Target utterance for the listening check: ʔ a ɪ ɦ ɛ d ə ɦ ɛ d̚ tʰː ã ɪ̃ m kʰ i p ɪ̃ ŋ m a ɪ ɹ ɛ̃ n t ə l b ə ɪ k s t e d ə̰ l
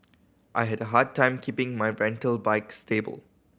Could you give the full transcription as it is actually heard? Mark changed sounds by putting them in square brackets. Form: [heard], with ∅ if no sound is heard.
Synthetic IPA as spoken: ʔ a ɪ ɦ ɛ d ə ɦ [a] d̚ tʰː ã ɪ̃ m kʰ i p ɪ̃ ŋ m a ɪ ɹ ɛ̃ n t ə l b [a] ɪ k s t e [b] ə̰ l